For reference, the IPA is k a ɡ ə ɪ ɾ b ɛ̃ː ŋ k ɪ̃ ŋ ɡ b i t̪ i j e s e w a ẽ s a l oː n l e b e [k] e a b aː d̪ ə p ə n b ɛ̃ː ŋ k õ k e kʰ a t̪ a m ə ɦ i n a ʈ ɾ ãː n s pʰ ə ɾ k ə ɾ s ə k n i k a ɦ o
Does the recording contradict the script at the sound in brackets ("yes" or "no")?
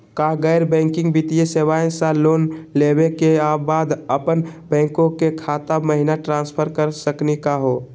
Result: no